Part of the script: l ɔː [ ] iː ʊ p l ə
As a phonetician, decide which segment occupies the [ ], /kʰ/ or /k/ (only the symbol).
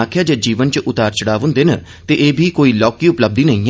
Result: k